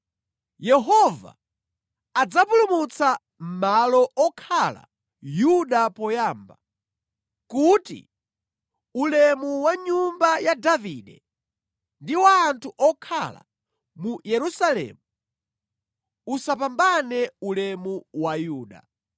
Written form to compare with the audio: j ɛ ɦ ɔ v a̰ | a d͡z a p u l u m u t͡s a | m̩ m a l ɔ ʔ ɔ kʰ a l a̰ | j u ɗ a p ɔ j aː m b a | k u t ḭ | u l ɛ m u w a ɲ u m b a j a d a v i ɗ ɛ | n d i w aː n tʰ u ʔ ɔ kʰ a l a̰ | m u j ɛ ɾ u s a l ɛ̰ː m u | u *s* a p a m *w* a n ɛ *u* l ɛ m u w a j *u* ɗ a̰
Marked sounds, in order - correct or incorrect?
correct, incorrect: b, correct, incorrect: uː

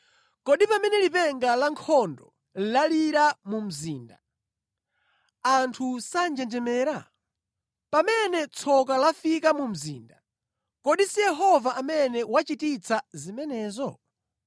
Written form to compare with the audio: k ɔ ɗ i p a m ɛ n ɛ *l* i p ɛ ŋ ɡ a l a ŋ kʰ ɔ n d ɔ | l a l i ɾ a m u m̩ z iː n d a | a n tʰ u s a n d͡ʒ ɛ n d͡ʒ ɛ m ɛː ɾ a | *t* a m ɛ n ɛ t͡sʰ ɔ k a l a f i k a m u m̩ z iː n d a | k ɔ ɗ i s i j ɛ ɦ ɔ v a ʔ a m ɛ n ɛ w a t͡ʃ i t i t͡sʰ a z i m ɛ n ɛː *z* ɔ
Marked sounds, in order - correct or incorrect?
correct, incorrect: p, correct

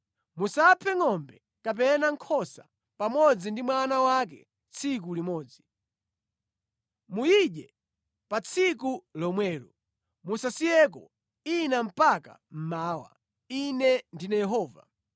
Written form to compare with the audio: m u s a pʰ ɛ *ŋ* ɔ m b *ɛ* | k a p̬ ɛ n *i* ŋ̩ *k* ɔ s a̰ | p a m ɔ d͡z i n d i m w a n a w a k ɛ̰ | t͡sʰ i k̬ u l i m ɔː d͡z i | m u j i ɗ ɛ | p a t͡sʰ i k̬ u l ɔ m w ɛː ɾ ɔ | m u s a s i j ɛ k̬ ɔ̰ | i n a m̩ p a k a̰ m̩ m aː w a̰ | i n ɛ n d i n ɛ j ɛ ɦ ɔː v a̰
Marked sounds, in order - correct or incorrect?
correct, correct, incorrect: a, incorrect: kʰ

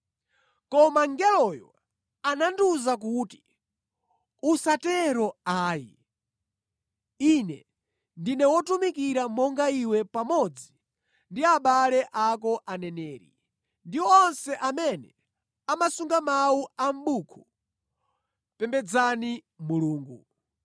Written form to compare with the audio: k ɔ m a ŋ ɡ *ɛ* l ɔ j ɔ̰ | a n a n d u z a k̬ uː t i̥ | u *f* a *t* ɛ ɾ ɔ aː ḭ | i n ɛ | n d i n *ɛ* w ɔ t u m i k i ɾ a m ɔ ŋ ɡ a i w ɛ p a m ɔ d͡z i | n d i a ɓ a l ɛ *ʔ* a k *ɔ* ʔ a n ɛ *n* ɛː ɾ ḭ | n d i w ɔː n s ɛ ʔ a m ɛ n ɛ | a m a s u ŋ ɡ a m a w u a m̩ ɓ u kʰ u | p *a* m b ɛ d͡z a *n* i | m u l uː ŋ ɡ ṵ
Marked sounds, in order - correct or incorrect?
correct, incorrect: s, correct, correct, correct, correct, correct, incorrect: ɛ, correct

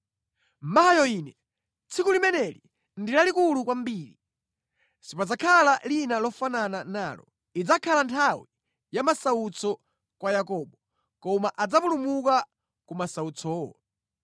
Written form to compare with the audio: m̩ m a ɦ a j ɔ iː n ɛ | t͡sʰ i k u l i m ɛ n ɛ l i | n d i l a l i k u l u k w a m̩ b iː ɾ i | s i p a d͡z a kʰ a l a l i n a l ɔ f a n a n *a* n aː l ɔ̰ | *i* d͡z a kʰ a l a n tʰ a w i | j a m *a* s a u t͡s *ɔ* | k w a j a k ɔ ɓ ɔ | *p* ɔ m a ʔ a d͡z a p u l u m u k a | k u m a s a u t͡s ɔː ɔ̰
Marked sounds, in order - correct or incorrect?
correct, correct, correct, correct, incorrect: k

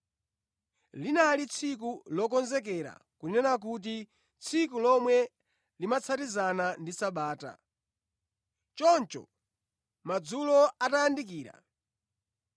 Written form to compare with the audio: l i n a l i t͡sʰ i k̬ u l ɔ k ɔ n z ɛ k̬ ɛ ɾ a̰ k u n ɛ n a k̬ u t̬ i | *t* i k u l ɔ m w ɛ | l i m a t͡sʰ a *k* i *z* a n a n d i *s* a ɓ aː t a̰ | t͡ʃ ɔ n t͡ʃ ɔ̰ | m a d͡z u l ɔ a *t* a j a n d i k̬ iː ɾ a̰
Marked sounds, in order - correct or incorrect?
incorrect: t͡sʰ, incorrect: t, correct, correct, correct

